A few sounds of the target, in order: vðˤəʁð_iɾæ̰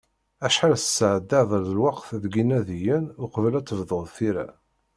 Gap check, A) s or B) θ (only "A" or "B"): B